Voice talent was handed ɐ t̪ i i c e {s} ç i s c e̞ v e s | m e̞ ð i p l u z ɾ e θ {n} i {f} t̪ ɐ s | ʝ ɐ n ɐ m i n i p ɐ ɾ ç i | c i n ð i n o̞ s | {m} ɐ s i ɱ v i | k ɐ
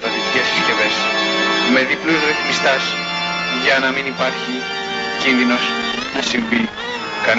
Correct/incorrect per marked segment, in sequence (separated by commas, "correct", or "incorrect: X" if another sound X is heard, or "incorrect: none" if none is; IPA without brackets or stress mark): correct, incorrect: m, incorrect: s, incorrect: n